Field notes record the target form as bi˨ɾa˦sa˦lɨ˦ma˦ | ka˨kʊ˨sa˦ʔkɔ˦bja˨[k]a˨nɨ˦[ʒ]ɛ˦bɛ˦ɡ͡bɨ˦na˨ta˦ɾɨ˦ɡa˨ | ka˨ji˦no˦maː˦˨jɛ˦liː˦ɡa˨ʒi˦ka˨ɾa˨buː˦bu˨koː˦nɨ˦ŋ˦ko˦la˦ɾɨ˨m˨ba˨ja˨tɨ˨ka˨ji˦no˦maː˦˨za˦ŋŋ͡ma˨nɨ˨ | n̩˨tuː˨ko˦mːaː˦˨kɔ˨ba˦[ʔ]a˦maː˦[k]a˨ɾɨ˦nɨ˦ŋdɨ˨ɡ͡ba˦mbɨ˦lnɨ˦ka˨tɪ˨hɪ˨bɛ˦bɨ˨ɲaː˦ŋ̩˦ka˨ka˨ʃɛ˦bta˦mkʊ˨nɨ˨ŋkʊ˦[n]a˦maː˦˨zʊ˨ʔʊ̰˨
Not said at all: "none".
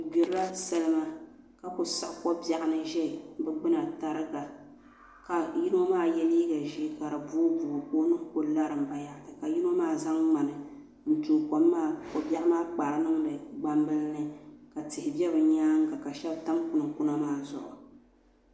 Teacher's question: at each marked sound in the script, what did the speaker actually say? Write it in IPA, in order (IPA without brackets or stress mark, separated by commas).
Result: ʔ, ʒ, ʔ, k͡p, n